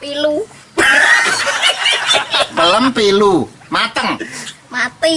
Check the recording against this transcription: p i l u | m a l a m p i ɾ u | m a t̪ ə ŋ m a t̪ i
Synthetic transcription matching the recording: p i l u | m ə l ə m p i l u | m a t̪ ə ŋ m a t̪ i